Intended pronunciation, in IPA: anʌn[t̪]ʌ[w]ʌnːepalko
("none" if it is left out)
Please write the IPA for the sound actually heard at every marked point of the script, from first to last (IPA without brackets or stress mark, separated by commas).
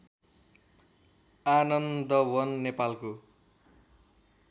d̪, w